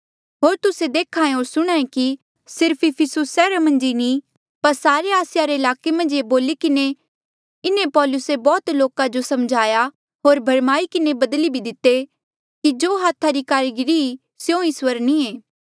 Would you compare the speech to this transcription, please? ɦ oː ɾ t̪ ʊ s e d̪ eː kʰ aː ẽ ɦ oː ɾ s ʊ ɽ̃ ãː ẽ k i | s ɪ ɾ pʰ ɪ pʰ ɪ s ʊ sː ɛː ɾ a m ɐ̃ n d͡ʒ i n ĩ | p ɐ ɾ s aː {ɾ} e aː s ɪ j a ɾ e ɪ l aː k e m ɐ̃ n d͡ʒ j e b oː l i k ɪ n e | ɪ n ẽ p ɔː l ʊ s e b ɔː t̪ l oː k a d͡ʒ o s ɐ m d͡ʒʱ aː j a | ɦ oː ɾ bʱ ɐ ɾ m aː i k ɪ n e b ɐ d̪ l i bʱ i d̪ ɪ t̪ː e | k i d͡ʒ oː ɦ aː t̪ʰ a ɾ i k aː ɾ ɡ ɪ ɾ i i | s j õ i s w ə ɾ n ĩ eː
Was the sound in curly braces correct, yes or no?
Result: yes